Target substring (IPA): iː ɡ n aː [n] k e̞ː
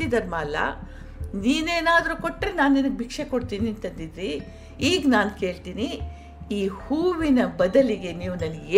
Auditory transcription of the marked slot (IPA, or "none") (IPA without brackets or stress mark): n